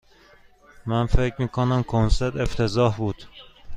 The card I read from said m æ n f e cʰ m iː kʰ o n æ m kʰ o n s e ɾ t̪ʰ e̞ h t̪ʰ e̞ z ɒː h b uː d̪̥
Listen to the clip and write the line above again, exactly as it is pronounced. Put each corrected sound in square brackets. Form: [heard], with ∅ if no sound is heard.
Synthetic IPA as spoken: m æ n f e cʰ m iː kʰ o n æ m kʰ o n s e ɾ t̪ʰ e̞ [f] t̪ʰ e̞ z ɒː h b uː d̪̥